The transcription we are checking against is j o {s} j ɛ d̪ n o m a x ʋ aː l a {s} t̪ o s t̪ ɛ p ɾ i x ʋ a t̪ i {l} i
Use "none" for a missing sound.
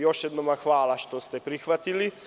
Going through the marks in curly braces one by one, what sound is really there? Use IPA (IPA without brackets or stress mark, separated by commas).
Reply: ʃ, ʃ, l